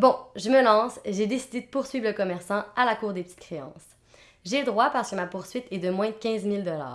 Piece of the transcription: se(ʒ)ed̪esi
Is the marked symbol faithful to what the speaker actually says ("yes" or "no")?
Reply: yes